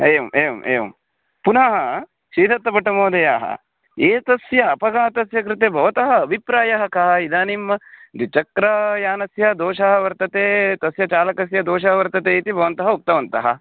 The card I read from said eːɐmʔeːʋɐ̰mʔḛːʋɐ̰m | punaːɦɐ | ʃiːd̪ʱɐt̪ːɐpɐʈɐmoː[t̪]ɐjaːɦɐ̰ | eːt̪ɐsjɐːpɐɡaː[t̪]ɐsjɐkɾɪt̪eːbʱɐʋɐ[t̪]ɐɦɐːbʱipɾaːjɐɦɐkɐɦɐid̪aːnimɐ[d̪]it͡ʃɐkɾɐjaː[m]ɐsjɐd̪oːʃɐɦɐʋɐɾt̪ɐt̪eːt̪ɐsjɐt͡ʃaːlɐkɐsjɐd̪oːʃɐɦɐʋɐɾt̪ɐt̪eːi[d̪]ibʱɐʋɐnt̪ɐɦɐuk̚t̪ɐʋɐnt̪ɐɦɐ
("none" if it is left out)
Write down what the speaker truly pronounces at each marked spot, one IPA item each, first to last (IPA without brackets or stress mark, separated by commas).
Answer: d̪, t̪, t̪, d̪, n, t̪